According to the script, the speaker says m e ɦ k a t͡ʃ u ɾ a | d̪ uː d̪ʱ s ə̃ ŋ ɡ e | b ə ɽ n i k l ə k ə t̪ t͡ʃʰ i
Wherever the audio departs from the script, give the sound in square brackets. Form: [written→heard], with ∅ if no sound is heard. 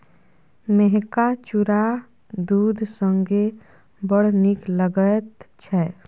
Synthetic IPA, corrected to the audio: m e ɦ k a t͡ʃ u ɾ a | d̪ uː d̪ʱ s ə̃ ŋ ɡ e | b ə ɽ n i k l ə [k→ɡ] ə t̪ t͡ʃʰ [i→ɛ]